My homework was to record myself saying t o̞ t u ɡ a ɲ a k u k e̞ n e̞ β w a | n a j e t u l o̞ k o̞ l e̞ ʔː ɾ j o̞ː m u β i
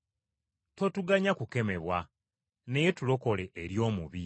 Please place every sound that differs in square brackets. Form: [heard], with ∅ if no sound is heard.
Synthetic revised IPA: t o̞ t u ɡ a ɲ a k u k e̞ [m] e̞ β w a | n [e] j e t u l o̞ k o̞ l e̞ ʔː ɾ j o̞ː m u β i